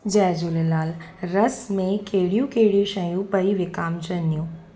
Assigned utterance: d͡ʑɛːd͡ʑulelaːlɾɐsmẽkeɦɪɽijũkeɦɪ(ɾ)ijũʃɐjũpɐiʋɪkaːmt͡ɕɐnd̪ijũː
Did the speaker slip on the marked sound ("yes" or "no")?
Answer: yes